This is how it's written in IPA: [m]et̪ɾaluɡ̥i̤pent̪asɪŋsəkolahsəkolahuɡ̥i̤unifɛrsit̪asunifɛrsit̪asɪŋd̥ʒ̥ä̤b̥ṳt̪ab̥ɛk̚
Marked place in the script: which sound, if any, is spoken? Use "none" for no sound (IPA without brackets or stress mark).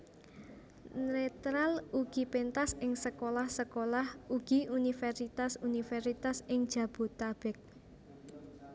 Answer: n